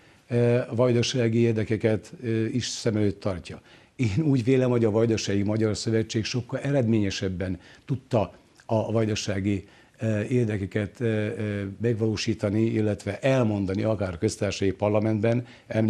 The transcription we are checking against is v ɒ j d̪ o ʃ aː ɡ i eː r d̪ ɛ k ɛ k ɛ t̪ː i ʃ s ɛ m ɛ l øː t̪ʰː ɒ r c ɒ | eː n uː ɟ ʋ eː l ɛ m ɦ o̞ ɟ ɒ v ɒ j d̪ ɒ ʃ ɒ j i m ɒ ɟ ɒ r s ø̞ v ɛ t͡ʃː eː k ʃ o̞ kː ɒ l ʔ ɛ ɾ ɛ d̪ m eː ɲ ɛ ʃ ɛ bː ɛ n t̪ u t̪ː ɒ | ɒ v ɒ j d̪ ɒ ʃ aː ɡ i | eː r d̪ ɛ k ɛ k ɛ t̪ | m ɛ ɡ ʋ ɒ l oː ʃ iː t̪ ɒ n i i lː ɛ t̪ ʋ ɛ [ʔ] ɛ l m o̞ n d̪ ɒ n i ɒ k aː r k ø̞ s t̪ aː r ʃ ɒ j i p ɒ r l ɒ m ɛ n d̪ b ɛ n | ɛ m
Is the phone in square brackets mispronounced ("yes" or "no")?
no